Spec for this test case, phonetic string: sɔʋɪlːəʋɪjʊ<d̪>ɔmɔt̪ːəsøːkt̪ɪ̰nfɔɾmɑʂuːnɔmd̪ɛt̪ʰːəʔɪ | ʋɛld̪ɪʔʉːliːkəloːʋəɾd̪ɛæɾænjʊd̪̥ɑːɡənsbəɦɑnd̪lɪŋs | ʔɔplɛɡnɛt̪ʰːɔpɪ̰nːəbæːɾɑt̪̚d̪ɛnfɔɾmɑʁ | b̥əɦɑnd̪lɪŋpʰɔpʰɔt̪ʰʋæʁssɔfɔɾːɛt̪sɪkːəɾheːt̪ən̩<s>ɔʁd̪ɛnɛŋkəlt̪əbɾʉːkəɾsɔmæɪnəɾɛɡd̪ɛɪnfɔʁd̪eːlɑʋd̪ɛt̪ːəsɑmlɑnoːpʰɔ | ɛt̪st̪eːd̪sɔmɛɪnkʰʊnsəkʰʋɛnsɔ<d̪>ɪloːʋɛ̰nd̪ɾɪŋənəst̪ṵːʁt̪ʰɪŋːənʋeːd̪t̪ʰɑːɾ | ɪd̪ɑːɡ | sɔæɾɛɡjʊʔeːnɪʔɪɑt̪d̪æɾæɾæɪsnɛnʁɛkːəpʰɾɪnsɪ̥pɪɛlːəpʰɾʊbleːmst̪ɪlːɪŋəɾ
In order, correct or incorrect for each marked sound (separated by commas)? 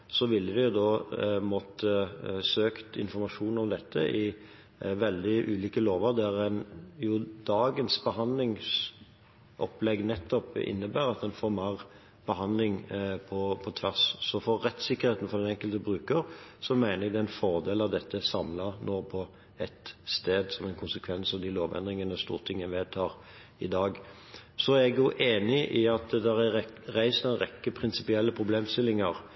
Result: correct, incorrect, correct